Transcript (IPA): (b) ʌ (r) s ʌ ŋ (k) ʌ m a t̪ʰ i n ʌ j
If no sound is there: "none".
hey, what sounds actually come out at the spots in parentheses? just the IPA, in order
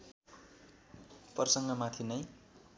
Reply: p, r, ɡ

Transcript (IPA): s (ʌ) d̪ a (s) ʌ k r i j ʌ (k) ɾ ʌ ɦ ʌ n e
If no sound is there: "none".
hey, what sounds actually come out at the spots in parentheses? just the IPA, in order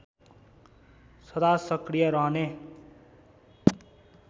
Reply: ʌ, s, none

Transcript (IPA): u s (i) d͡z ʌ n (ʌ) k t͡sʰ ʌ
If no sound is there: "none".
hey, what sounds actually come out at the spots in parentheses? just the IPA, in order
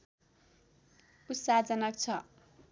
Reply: a, ʌ

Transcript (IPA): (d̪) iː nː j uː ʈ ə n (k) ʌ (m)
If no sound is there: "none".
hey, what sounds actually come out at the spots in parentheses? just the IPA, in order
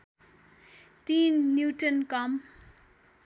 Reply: t̪, k, m

